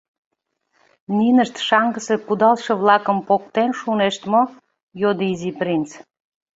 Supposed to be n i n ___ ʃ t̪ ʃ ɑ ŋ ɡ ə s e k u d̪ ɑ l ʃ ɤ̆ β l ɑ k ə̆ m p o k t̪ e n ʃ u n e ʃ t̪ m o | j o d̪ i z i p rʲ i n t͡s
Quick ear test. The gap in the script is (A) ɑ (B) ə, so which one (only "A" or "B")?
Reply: B